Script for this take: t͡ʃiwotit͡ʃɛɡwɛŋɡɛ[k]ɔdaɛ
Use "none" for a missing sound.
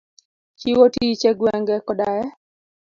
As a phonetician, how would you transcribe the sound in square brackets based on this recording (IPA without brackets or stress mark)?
k